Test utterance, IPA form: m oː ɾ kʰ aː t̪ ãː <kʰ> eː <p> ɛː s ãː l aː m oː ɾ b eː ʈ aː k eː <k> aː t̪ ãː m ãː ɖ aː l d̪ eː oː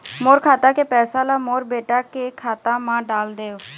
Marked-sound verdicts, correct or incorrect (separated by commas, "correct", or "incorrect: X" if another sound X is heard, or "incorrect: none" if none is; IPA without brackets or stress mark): incorrect: k, correct, incorrect: kʰ